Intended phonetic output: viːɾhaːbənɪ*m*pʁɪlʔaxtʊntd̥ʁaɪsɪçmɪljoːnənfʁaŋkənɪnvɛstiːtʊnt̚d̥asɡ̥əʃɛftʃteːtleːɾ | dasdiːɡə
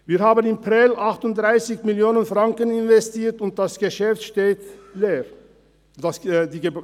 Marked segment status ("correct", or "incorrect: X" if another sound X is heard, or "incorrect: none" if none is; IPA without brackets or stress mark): correct